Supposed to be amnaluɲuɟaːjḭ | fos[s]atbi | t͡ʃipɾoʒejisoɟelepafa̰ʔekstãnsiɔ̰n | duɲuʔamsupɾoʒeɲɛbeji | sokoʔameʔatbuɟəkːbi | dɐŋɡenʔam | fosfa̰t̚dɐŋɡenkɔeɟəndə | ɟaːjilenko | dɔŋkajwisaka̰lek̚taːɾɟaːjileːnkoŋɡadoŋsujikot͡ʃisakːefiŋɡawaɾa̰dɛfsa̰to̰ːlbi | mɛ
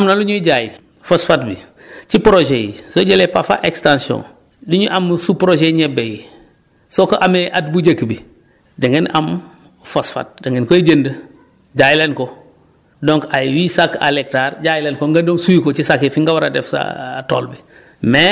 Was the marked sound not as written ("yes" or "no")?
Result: yes